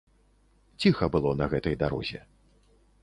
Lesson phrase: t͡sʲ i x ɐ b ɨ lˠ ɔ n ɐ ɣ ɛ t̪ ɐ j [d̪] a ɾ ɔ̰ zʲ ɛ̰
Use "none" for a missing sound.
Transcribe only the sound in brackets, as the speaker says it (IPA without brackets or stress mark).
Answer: d̪